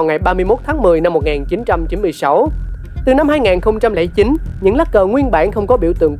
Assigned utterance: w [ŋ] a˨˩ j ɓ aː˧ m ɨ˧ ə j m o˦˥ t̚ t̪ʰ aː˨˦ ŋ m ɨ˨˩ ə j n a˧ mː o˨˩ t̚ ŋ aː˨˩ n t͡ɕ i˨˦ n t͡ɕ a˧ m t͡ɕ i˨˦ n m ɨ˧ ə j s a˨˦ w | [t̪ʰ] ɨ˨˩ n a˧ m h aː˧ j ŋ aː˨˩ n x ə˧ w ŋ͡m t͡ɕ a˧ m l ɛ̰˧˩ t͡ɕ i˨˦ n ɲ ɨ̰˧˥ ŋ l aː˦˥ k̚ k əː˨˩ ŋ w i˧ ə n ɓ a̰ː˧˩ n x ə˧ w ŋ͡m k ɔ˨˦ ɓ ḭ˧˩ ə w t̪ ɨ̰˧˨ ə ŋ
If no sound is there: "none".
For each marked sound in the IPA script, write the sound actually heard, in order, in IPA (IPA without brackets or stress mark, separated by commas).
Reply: ŋ, t̪